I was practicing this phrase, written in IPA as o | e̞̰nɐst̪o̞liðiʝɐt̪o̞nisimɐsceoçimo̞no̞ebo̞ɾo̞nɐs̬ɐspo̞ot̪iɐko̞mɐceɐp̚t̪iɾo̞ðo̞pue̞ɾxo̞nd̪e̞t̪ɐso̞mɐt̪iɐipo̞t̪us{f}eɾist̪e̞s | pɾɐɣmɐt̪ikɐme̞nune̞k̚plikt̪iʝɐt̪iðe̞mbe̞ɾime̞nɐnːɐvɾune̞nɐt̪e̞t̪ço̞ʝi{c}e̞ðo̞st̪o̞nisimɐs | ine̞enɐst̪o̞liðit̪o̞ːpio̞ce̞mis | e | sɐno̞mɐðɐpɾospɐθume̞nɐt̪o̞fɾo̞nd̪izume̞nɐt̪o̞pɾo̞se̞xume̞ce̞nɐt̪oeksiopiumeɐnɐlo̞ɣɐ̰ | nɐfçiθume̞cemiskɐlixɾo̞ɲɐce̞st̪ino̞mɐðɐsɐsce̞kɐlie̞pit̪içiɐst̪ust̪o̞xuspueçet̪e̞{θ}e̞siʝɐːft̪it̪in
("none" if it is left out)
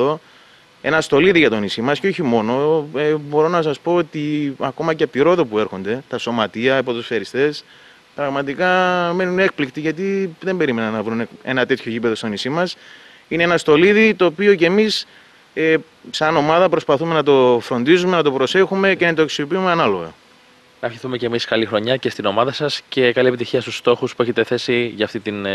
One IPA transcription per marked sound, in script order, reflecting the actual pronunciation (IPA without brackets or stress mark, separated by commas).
f, p, θ